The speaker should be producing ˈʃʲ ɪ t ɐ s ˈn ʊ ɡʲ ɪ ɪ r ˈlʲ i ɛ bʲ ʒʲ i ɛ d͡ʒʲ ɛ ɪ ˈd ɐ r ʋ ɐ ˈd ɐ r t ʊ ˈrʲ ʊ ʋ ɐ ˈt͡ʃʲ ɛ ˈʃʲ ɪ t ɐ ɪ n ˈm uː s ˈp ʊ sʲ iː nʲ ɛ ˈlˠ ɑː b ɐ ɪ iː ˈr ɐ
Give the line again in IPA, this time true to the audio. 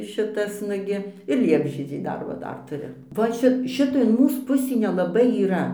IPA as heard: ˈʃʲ ɪ t ɐ s ˈn ʊ ɡʲ ɪ ɪ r ˈlʲ i ɛ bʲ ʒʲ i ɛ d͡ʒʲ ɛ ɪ ˈd ɐ r ʋ ɐ ˈd ɐ r t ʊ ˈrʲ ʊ ʋ ɐ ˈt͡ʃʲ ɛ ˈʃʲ ɪ t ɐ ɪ n ˈm uː s ˈp ʊ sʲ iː nʲ ɛ ˈlˠ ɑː b ɐ ɪ iː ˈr ɐ